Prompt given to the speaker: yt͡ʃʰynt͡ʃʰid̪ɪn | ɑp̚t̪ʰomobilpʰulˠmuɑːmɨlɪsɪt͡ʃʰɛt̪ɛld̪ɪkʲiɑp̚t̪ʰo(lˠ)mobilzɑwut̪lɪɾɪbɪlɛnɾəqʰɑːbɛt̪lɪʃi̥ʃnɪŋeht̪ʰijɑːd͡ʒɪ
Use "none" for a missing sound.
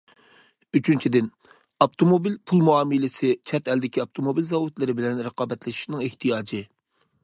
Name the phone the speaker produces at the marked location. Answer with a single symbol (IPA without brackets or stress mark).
none